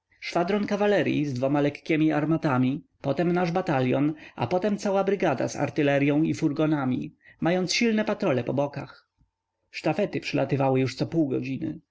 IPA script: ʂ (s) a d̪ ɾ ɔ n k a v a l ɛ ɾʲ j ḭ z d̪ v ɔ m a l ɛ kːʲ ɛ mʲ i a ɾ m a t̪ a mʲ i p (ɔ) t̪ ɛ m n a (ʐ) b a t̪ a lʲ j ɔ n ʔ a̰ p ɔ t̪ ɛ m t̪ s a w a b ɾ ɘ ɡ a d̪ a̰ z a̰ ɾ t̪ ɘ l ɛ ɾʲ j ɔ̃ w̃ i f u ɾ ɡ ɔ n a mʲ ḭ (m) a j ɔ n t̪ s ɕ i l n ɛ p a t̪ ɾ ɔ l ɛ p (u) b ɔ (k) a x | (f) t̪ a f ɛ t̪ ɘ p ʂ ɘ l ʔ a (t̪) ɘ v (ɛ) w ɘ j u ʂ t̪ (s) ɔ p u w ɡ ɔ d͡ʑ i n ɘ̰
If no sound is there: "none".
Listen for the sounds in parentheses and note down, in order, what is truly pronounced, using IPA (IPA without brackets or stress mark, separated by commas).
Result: f, ɔ, ʐ, m, ɔ, k, ʂ, t̪, a, s